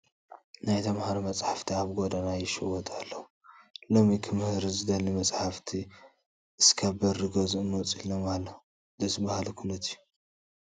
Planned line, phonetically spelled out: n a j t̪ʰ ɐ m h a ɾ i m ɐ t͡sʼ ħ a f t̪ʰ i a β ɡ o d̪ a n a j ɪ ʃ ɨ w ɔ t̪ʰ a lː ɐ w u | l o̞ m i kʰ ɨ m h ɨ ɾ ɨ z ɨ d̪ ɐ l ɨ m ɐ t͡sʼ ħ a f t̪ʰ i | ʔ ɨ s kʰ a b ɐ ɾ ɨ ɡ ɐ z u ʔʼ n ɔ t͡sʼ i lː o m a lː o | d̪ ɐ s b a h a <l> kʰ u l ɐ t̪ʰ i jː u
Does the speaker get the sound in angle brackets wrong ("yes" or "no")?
no